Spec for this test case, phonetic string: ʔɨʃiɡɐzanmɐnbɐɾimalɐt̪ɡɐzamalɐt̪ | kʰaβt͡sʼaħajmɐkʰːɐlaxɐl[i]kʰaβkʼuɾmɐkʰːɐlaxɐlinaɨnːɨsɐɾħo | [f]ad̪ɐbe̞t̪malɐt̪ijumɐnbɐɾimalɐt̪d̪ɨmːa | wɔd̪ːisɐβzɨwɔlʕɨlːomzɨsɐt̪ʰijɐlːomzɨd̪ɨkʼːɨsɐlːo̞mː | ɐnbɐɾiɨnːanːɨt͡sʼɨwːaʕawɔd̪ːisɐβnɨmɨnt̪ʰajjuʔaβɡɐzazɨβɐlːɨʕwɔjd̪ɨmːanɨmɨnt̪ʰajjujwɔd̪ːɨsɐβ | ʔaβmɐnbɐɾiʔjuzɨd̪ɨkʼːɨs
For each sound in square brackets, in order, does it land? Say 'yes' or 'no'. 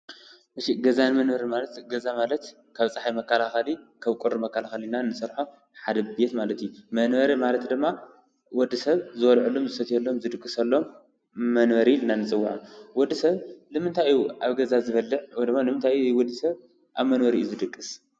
yes, no

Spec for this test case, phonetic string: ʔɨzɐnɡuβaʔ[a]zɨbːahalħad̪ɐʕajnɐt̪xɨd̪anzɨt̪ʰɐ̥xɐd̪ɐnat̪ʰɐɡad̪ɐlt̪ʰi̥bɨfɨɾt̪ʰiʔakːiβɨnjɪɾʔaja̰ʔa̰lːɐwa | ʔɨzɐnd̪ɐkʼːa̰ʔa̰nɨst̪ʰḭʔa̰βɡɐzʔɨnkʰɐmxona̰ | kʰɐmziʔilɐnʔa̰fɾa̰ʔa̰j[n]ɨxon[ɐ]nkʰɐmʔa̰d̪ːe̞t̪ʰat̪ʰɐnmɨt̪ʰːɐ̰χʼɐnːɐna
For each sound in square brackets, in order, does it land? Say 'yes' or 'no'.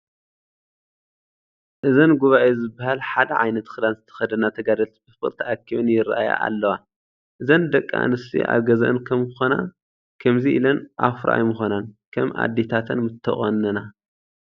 no, no, no

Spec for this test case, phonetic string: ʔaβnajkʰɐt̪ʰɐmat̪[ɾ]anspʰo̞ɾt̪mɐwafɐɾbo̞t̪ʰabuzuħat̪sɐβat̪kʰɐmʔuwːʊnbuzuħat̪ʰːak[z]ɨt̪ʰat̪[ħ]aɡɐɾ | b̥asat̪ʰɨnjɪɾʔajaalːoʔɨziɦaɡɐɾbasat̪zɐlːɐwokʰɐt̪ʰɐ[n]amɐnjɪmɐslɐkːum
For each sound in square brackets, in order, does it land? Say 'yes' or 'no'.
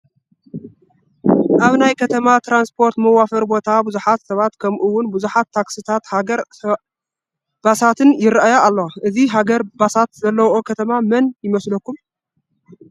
yes, no, no, no

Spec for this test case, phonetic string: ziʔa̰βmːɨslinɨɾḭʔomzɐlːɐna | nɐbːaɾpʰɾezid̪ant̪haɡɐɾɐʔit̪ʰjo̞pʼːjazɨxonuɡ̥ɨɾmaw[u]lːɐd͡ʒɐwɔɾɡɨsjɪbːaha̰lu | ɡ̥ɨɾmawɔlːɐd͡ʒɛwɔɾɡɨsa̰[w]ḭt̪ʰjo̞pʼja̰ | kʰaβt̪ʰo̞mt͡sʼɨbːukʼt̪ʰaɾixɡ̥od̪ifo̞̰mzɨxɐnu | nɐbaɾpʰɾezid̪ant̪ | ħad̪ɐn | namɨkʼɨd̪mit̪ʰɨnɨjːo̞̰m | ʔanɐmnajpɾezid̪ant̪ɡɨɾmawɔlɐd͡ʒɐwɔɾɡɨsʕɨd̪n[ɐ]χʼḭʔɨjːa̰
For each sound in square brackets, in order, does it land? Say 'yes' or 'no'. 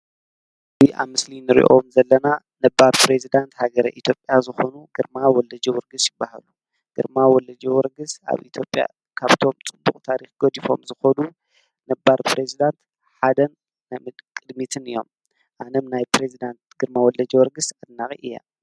no, no, no

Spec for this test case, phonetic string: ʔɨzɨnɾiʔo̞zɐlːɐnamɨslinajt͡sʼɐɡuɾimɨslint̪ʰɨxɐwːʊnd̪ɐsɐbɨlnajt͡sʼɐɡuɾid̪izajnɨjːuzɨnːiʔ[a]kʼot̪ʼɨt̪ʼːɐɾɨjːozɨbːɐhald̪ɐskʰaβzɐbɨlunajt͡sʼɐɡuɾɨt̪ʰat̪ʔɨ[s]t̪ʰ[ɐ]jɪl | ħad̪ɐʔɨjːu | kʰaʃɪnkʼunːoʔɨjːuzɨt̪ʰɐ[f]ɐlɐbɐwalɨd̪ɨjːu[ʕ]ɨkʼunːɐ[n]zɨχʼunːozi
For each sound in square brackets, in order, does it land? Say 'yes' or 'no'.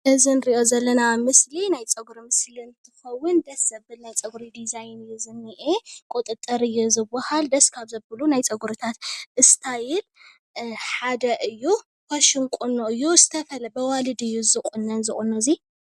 no, yes, no, yes, no, yes

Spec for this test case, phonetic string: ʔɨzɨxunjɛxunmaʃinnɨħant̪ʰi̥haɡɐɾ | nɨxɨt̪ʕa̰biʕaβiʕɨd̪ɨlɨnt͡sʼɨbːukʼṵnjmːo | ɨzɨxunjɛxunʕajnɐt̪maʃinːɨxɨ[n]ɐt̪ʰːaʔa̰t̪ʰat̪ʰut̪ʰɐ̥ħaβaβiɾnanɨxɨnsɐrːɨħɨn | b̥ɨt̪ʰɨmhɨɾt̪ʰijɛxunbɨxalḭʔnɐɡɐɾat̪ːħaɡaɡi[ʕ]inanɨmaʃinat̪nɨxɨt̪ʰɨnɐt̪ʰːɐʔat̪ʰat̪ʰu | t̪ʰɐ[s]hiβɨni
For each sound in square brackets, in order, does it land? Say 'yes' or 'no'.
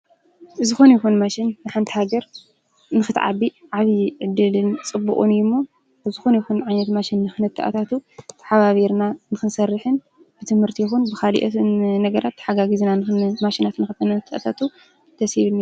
yes, no, yes

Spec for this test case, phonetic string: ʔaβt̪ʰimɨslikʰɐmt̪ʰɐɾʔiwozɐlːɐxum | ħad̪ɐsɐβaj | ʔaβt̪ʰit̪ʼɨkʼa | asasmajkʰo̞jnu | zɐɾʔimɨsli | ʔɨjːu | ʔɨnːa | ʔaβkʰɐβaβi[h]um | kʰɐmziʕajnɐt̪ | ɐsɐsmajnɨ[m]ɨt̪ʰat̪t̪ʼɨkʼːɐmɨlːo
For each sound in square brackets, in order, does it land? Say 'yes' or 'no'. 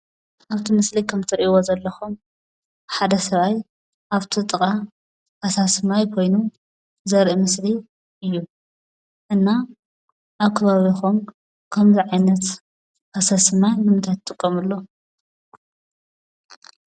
no, yes

